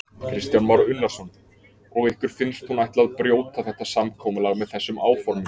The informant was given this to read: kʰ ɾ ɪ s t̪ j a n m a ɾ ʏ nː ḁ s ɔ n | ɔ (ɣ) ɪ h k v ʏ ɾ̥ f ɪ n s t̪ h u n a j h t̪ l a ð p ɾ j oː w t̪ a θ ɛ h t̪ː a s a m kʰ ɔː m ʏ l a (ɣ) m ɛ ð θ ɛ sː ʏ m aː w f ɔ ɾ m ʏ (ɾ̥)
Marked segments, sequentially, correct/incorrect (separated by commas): correct, correct, incorrect